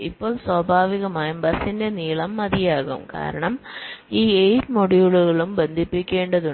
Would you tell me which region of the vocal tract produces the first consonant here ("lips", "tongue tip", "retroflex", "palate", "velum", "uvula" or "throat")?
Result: lips